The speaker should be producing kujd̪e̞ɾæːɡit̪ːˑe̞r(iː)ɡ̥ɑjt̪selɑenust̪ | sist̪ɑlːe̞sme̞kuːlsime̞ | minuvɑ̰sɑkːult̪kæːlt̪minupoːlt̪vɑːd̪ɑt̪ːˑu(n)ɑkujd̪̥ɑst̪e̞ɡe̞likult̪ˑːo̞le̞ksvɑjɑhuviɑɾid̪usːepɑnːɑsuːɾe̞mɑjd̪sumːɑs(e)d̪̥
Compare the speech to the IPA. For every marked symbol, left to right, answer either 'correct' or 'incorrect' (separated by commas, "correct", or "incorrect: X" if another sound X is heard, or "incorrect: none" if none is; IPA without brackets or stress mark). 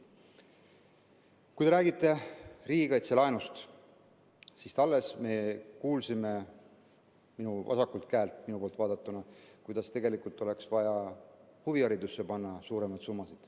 correct, correct, incorrect: i